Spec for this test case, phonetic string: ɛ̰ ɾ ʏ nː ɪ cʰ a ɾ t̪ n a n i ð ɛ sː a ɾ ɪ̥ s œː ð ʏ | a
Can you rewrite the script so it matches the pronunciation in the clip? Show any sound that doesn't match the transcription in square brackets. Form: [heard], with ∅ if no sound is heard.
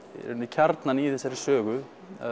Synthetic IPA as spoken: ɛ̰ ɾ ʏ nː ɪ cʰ a ɾ t̪ n a n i [θ] ɛ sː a ɾ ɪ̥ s œː [ɣ] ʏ | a